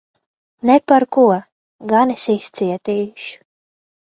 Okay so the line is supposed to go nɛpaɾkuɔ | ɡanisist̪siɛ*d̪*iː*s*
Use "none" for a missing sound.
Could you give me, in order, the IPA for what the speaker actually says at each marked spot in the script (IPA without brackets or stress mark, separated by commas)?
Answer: t̪, ʃ